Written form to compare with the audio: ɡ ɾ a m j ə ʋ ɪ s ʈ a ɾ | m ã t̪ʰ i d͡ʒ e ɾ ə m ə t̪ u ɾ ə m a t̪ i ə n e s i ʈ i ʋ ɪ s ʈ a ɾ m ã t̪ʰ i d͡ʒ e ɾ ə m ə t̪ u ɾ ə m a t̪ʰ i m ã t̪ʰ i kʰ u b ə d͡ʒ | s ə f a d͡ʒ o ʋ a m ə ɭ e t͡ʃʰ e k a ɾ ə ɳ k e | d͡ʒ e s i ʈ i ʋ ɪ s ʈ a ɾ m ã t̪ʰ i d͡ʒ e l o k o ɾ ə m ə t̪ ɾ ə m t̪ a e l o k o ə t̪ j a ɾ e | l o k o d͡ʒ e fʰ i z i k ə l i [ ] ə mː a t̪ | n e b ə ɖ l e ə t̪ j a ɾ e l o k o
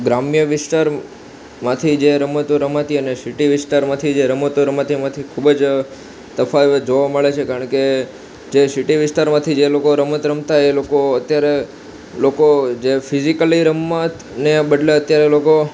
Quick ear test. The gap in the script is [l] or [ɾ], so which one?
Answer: ɾ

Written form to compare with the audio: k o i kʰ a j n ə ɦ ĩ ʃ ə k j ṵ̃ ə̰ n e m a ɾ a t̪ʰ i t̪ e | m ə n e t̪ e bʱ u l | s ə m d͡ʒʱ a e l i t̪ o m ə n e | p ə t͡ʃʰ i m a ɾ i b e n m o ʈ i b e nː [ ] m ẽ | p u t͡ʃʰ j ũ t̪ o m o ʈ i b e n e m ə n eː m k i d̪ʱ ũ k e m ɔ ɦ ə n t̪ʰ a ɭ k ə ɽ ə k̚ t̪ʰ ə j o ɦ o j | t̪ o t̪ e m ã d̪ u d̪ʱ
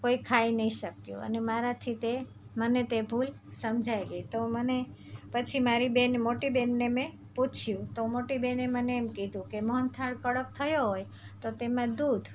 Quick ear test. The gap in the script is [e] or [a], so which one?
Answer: e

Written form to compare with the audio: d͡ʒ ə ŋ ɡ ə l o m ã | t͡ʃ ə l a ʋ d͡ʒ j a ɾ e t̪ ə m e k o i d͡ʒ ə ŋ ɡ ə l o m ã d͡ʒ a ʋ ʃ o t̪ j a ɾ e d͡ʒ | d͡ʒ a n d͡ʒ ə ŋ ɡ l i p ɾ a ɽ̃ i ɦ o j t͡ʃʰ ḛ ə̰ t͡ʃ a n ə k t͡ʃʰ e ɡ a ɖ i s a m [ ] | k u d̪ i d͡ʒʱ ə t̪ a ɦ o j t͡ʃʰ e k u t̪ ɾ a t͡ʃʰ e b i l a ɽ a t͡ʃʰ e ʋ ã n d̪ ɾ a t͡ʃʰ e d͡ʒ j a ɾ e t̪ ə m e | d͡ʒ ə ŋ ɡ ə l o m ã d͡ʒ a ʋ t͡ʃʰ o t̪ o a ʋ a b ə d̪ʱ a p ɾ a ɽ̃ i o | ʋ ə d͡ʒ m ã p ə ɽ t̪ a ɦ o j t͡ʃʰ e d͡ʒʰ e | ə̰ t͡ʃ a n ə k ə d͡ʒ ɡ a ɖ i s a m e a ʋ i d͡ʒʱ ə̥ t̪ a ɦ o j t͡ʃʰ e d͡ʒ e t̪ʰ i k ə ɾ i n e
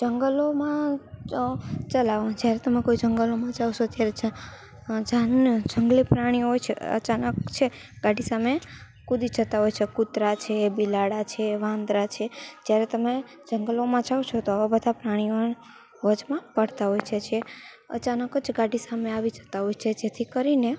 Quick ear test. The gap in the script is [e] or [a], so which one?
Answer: e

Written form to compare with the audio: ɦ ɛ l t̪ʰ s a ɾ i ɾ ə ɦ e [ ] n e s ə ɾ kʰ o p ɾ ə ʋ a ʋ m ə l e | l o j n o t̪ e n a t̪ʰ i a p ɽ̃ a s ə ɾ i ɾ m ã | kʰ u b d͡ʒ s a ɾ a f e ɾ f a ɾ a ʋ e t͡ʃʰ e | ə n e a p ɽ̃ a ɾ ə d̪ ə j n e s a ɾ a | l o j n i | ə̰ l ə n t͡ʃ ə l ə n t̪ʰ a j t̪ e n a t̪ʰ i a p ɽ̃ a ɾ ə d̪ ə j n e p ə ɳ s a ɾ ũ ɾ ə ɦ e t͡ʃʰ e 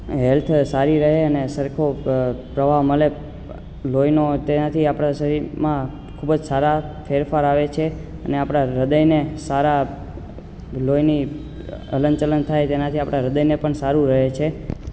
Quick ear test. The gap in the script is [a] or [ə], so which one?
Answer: ə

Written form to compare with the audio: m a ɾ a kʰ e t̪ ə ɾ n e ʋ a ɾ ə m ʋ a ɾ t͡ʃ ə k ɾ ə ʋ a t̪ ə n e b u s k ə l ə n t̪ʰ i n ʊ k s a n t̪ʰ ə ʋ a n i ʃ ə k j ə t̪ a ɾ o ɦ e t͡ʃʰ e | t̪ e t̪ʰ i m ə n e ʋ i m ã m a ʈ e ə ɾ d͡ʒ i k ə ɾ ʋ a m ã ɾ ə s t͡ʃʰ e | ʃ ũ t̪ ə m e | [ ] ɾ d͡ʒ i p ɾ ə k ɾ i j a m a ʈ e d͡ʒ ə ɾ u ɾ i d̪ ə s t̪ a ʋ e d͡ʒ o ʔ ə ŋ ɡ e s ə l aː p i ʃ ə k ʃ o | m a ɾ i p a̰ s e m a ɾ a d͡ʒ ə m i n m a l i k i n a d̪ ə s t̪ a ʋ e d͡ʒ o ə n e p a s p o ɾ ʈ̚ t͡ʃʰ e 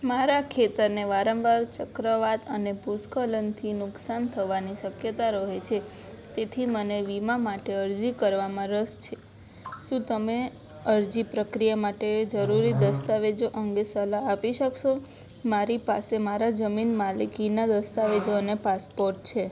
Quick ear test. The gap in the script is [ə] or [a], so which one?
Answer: ə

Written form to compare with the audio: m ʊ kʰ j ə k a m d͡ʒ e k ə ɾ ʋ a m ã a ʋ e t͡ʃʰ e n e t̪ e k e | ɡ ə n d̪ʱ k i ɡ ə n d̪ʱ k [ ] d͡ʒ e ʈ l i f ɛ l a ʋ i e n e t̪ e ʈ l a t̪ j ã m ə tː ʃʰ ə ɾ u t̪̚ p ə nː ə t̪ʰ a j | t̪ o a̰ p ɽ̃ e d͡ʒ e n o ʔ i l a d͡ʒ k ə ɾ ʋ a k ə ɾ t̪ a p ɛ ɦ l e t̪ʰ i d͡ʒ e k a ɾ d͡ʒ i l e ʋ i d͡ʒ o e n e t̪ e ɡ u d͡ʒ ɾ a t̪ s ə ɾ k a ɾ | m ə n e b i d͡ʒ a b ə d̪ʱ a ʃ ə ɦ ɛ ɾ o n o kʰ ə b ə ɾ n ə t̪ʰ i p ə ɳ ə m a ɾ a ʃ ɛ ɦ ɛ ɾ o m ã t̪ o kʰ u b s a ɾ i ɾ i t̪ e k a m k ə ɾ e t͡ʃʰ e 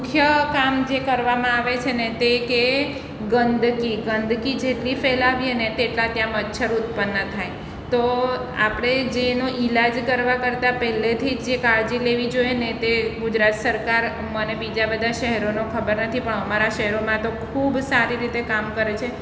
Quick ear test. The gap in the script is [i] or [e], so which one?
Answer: i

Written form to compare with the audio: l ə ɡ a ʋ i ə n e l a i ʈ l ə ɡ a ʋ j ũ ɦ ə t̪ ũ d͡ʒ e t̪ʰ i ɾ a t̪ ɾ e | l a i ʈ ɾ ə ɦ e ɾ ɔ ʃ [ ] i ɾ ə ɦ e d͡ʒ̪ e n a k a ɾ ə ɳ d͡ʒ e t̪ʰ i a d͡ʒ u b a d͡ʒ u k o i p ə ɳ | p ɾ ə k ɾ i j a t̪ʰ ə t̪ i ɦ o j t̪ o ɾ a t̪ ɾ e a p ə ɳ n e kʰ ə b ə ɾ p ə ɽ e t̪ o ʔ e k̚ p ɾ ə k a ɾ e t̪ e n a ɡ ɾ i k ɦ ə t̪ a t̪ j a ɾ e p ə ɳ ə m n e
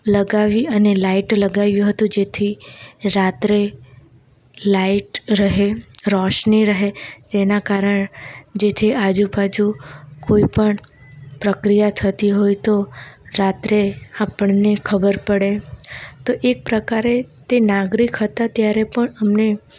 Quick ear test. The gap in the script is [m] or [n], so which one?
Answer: n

